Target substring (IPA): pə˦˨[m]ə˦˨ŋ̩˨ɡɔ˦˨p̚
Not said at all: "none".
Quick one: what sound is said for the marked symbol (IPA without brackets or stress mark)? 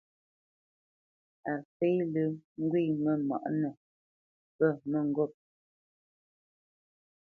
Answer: m